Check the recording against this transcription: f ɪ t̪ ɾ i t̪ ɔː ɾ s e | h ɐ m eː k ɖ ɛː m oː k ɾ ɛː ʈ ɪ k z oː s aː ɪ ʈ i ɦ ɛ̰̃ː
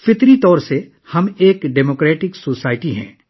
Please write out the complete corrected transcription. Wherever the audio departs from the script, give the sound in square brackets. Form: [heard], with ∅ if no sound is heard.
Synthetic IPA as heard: f ɪ t̪ ɾ i t̪ ɔː ɾ s e | h ɐ m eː k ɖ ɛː m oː k ɾ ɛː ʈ ɪ k [s] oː s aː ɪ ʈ i ɦ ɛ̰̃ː

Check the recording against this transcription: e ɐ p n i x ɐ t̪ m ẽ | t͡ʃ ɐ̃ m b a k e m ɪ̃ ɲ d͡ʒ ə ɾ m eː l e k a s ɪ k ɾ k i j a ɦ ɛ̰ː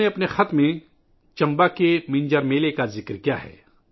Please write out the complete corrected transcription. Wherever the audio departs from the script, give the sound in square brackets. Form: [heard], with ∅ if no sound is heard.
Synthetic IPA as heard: e ɐ p n [e] x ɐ t̪ m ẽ | t͡ʃ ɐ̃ m b a k e m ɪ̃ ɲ d͡ʒ ə ɾ m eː l e k a [z] ɪ k ɾ k i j a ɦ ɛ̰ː

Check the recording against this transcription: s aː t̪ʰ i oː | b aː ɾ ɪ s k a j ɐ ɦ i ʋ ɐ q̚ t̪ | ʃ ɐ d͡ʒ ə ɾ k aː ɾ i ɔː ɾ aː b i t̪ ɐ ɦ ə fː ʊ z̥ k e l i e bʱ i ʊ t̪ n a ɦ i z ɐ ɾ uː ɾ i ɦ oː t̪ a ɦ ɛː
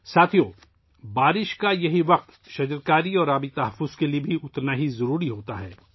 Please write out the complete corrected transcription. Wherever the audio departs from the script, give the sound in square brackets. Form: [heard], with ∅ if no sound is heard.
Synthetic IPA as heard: s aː t̪ʰ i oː | b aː ɾ ɪ [ʃ] k a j ɐ ɦ i ʋ ɐ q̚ t̪ | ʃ ɐ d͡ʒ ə ɾ k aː ɾ i ɔː ɾ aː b i t̪ ɐ ɦ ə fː ʊ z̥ k e l i e bʱ i ʊ t̪ n a ɦ i z ɐ ɾ uː ɾ i ɦ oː t̪ a ɦ ɛː

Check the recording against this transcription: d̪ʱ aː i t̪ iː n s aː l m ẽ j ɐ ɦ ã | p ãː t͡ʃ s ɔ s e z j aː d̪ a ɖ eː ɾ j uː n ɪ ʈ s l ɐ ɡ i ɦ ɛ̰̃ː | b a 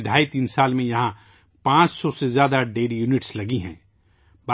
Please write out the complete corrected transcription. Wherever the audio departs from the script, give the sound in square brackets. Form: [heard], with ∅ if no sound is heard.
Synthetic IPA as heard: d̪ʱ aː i t̪ iː n s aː l m ẽ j ɐ ɦ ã | p ãː t͡ʃ s ɔ s e z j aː d̪ a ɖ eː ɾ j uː n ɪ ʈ s l ɐ ɡ i ɦ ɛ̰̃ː | b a

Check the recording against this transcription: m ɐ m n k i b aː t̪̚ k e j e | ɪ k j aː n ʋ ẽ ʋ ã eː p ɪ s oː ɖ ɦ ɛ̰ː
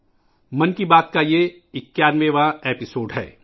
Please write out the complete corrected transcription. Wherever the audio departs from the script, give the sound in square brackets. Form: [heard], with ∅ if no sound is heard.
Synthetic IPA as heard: m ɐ [∅] n k i b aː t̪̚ k [a] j e | ɪ k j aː n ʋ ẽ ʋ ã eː p ɪ s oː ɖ ɦ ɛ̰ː

